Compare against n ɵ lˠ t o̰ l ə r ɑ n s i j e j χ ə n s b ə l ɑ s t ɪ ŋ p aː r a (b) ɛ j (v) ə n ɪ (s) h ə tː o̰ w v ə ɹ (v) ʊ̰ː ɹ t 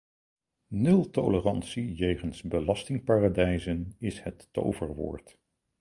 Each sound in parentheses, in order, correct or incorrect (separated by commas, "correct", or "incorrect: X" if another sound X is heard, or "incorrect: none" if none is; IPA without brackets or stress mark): incorrect: d, incorrect: z, correct, incorrect: ʋ